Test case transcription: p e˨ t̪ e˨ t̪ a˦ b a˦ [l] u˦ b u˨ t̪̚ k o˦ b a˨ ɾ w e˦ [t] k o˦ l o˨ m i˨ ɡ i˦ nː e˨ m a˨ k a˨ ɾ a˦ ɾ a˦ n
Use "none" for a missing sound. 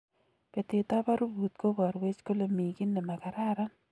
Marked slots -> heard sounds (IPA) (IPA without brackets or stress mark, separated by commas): ɾ, t͡ʃ